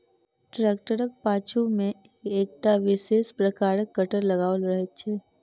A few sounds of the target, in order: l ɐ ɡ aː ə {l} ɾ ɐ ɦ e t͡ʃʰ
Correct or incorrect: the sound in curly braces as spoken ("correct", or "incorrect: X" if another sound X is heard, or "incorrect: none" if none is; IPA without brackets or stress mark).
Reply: correct